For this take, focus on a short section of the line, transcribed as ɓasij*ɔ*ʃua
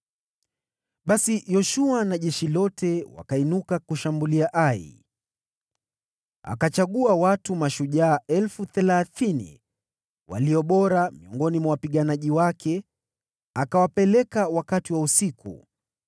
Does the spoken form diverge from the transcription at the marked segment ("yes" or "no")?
no